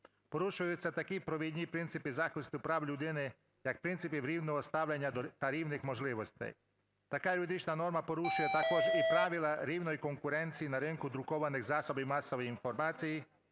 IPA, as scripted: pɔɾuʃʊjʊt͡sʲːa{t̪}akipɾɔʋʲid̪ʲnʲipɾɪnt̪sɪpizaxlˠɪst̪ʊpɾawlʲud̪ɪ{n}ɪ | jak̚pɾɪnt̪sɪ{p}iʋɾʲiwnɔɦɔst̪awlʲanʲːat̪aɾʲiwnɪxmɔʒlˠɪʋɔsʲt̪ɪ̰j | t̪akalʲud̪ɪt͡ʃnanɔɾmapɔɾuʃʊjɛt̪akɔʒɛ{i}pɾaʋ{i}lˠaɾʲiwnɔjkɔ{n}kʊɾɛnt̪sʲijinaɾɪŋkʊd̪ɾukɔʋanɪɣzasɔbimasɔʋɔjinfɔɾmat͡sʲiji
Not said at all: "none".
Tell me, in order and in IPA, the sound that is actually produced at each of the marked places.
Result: t̪, n, p, i, i, ŋ

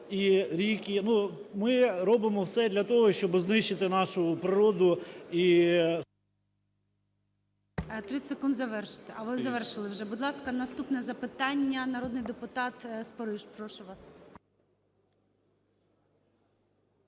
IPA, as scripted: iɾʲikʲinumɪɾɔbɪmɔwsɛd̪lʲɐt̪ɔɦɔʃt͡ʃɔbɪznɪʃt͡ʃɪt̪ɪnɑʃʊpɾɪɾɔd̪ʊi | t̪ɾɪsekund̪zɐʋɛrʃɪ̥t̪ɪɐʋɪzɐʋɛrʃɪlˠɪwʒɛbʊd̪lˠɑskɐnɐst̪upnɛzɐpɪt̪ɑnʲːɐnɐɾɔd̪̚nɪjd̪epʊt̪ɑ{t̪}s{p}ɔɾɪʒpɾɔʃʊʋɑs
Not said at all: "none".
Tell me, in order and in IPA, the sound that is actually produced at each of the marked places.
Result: t̪, p

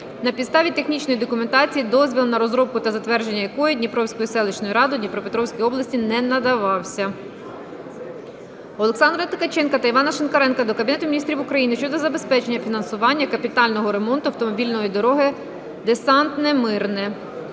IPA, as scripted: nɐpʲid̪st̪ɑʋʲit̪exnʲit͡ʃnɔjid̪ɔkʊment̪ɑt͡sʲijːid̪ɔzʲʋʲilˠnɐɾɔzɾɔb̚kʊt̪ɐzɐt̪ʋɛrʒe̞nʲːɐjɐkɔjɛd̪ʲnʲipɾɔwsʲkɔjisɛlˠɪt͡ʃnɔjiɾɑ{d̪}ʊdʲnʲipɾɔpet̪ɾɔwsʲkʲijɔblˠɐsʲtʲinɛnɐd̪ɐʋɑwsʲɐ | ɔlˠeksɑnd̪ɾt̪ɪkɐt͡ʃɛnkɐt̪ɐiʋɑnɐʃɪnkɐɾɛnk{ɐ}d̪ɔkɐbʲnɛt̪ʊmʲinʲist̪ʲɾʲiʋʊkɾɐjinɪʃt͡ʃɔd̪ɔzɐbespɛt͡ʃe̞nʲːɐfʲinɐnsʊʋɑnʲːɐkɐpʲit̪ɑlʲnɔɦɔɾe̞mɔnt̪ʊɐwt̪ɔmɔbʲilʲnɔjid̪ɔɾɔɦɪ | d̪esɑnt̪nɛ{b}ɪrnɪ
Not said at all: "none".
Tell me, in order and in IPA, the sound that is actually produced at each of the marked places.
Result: d̪, ɐ, m

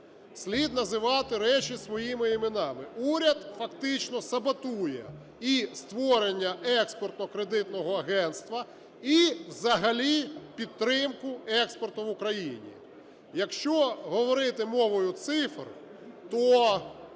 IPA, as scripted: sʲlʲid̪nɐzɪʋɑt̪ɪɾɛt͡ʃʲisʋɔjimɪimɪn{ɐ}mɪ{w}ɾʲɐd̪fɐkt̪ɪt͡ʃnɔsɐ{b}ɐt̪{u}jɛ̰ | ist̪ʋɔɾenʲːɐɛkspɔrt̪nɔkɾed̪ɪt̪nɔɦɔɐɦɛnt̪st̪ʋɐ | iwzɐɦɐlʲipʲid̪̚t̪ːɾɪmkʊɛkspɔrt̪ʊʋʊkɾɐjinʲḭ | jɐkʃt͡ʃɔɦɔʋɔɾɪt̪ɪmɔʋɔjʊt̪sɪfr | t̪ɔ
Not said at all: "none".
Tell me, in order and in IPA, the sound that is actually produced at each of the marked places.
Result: ɑ, u, b, u

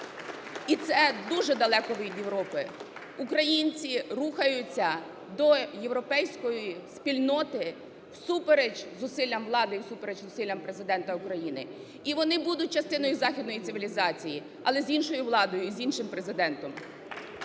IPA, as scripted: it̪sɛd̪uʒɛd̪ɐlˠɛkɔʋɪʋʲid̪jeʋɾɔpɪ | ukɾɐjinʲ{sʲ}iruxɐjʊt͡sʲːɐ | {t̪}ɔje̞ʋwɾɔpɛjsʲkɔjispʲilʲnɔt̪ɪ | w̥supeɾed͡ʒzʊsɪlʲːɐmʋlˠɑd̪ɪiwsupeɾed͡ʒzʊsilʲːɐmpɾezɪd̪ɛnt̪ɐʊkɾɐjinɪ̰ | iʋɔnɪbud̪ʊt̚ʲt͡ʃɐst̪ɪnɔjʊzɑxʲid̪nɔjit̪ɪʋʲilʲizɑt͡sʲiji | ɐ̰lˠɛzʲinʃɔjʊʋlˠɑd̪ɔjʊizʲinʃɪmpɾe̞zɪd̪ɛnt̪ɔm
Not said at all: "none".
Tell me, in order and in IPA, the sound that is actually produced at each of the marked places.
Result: t͡sʲ, d̪

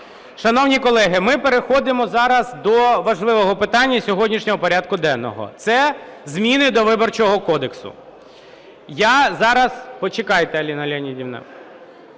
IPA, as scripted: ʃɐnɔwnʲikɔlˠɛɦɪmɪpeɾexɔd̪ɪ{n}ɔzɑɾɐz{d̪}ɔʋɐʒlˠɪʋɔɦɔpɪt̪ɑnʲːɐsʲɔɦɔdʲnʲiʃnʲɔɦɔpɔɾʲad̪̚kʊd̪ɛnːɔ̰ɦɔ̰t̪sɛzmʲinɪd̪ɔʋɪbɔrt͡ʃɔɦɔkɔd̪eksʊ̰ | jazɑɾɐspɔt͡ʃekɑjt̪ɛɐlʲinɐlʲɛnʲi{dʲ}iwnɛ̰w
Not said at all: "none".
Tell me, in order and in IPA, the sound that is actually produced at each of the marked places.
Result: m, d̪, dʲ

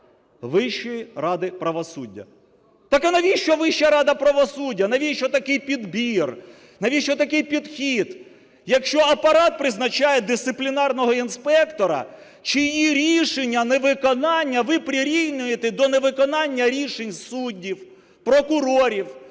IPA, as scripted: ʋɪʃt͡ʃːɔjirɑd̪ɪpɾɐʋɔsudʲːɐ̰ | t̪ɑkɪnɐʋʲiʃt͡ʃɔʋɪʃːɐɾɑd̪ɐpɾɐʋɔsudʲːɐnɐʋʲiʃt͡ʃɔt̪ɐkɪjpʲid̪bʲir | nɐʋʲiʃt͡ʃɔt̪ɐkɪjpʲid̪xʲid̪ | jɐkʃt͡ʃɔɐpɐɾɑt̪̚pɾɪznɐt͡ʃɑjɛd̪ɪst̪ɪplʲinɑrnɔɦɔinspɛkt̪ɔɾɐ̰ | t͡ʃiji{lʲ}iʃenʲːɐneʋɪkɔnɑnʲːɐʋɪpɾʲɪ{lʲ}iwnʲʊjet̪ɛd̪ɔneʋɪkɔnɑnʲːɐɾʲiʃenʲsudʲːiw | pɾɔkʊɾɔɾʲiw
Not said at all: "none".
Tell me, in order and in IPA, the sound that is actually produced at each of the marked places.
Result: ɾʲ, ɾʲ

